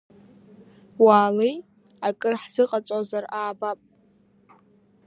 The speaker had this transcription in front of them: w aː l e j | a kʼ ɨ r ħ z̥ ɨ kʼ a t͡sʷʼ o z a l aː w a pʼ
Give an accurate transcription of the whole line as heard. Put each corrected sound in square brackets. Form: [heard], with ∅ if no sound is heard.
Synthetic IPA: w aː l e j | a kʼ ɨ r ħ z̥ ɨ [qʼ] a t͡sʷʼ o z a [r] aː [b] a pʼ